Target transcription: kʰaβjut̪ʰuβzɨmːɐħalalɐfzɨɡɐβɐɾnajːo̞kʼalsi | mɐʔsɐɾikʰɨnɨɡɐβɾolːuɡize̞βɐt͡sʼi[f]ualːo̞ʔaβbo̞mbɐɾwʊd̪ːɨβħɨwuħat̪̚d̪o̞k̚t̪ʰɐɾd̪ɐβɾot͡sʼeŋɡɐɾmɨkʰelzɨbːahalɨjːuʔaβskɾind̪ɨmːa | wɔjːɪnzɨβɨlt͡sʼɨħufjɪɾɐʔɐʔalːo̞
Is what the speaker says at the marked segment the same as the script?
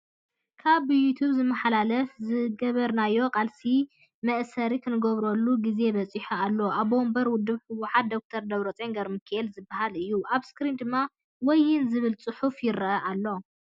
no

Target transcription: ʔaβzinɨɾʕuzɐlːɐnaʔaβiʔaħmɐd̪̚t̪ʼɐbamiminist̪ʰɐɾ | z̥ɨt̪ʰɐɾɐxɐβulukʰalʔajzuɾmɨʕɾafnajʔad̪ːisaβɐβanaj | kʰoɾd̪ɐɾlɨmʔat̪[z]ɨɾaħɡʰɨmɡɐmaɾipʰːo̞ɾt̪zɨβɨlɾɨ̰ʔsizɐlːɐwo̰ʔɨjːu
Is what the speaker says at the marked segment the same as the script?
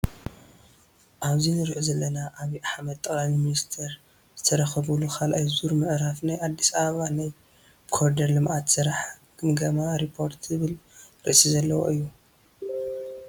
no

